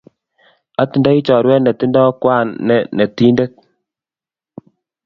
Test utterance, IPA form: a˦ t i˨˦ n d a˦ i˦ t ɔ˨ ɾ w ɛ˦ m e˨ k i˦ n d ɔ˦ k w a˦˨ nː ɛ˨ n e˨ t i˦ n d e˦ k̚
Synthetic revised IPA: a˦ t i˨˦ n d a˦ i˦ t͡ʃ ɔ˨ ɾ w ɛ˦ n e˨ t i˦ n d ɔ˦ k w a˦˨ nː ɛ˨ n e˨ t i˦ n d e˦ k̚